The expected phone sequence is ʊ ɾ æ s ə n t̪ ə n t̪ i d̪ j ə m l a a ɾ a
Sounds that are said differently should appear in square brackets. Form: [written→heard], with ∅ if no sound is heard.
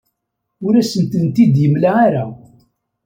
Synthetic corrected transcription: ʊ ɾ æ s ə n t̪ ə n t̪ i d̪ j ə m l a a ɾ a